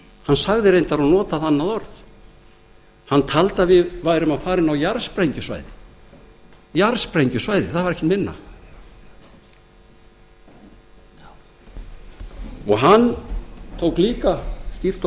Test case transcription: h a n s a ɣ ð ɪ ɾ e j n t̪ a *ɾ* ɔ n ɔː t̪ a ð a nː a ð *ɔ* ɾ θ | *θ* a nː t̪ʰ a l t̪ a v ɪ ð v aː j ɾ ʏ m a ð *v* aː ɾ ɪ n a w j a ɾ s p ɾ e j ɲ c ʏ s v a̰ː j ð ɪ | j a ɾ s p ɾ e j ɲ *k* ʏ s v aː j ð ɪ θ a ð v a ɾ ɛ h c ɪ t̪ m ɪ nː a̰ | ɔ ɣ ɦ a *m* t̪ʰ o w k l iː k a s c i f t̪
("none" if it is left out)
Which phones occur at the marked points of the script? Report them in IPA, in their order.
ɾ, ɔ, h, f, c, n

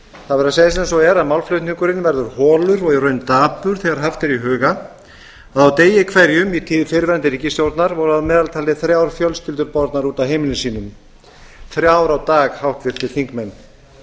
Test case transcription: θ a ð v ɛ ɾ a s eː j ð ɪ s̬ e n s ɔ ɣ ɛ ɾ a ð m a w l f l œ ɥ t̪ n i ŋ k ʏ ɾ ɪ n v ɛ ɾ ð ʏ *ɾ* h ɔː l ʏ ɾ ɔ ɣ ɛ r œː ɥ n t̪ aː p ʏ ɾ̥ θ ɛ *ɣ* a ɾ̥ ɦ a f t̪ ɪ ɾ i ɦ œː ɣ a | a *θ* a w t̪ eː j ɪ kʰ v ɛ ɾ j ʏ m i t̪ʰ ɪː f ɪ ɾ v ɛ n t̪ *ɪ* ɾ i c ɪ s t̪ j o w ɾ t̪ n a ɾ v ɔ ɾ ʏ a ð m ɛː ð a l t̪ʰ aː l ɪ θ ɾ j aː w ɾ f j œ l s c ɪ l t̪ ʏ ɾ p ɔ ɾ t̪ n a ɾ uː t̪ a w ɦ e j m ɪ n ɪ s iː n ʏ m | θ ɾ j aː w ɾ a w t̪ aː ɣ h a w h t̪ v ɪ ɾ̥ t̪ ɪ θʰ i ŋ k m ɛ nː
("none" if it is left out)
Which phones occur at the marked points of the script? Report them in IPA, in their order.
ɾ, ɣ, ð, ɪ

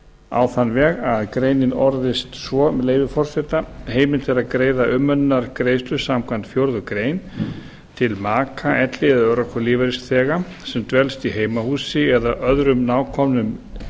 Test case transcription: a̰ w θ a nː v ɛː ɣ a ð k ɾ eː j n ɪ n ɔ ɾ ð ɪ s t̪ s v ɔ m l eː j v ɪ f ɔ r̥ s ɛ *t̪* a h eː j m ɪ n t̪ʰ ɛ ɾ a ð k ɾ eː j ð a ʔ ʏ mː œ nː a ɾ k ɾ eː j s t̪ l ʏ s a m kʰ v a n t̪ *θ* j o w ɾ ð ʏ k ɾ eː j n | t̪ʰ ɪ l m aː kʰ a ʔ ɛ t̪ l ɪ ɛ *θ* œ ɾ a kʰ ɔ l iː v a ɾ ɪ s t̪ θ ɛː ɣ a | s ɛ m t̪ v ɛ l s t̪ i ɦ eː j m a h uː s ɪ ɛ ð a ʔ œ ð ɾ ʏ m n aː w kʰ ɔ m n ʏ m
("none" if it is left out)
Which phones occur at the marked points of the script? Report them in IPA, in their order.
t̪, f, ð

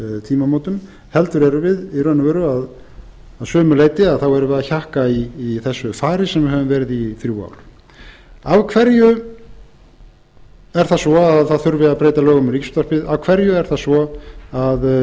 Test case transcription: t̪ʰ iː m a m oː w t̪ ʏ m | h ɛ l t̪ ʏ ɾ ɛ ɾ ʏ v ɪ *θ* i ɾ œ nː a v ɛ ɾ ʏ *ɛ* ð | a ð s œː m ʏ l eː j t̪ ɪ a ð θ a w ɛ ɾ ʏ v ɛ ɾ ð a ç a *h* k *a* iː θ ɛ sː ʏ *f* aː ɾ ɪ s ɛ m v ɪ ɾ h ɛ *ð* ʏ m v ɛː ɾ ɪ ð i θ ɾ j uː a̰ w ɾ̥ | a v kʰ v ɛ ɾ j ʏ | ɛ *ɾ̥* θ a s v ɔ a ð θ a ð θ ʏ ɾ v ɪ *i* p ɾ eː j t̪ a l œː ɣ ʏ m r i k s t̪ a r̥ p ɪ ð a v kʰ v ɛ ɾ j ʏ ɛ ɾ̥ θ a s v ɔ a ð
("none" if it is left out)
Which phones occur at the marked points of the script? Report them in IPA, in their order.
ð, a, h, a, f, v, ɾ̥, a

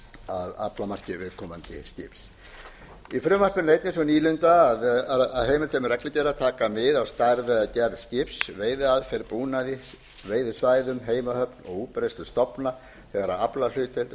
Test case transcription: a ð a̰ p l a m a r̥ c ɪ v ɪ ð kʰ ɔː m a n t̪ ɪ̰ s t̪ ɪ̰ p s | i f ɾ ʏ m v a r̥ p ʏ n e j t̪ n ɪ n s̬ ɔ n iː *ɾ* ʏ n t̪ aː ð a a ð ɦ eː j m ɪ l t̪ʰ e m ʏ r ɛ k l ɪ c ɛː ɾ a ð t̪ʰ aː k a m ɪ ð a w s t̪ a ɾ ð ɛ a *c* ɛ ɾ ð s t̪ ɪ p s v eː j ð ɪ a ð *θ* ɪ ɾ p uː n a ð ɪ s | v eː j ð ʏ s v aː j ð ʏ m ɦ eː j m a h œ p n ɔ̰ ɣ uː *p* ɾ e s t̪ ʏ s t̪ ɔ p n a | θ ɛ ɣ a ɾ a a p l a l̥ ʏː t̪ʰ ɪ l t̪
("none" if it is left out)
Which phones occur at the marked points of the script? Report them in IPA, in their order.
l, c, f, p

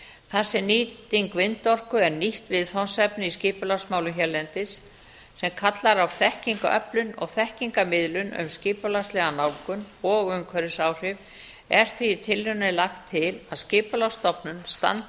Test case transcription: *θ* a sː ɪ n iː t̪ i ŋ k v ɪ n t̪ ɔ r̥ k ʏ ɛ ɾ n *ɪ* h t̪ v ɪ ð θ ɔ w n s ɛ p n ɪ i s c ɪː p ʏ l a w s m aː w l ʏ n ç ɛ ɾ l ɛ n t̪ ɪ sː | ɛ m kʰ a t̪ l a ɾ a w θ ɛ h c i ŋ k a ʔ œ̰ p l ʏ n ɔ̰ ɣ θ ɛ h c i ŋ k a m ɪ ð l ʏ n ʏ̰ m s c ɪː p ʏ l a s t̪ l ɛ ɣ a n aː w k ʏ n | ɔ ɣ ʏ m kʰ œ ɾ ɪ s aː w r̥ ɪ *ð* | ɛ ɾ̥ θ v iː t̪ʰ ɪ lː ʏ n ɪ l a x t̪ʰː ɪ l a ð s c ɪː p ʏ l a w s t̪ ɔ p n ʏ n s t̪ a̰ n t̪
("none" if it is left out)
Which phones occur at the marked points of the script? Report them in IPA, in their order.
θ, i, v

